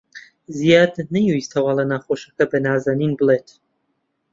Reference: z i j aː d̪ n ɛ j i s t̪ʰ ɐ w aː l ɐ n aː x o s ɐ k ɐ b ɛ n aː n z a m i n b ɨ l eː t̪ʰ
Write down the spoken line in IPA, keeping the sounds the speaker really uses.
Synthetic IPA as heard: z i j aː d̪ n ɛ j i s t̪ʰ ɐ w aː l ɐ n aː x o ʃ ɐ k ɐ b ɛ n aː z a n i n b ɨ l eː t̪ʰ